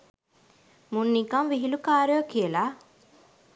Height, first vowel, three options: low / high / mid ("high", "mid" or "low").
high